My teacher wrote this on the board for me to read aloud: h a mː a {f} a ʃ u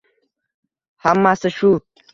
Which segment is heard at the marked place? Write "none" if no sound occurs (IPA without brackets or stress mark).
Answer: s